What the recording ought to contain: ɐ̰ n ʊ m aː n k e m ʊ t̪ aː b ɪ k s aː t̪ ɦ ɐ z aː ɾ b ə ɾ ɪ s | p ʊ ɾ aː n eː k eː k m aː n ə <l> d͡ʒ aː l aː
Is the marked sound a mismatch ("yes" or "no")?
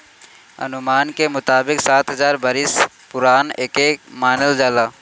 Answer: no